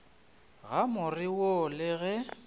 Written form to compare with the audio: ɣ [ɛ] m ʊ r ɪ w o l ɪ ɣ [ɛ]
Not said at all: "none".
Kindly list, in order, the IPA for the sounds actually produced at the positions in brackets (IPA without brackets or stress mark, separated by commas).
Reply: a, ɛ